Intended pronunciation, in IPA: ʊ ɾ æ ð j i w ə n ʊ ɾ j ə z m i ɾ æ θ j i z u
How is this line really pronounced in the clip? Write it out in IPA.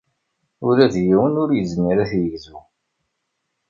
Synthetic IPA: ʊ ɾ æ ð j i w ə n ʊ ɾ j ə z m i ɾ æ θ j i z u